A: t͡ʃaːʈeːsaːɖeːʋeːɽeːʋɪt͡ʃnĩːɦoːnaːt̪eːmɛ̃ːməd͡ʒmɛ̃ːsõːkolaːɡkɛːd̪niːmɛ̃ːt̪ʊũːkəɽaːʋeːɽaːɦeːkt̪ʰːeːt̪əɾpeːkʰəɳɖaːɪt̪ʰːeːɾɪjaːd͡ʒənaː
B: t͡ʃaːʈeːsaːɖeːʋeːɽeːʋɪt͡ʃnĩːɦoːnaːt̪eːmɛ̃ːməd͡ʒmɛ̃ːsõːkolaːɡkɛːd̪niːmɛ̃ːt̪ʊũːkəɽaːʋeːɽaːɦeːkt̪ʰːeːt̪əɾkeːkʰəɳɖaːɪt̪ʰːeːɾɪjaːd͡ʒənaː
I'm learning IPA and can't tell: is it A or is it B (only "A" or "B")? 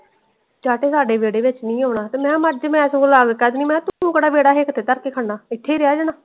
B